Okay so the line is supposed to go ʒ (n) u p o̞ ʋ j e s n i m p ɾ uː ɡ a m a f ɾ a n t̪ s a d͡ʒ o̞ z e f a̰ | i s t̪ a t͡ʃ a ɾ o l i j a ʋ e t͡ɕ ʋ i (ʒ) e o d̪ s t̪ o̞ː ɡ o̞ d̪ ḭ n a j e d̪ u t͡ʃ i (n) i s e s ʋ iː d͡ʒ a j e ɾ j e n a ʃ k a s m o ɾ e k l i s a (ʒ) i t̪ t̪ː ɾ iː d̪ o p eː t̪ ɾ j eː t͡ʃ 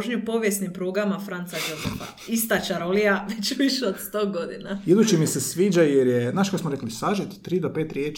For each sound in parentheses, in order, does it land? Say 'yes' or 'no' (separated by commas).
no, no, no, yes